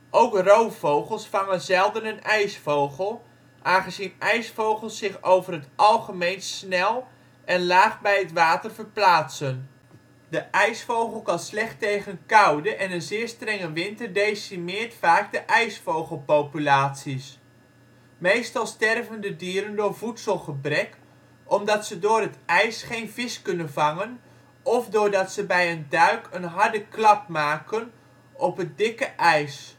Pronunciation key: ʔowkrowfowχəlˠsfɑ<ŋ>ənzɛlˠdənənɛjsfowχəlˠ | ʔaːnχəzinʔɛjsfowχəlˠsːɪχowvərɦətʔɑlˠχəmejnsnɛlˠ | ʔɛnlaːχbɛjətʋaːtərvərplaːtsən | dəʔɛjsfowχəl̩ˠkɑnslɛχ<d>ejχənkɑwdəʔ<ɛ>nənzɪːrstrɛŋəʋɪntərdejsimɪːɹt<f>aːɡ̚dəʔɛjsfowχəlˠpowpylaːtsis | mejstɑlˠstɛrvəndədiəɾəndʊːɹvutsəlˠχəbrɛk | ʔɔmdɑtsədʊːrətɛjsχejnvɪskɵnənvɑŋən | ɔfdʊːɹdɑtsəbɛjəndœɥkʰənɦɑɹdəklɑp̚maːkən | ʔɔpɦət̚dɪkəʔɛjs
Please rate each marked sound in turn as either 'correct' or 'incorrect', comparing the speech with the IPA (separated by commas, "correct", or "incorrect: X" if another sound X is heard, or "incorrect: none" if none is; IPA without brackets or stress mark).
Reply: correct, incorrect: t, correct, correct